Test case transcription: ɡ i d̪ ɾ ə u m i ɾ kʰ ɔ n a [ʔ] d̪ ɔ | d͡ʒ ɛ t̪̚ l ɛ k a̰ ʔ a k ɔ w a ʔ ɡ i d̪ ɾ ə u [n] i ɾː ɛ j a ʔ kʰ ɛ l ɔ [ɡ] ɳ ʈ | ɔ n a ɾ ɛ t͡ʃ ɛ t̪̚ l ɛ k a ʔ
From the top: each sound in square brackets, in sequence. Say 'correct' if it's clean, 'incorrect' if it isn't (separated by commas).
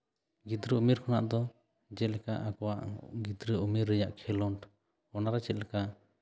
correct, incorrect, incorrect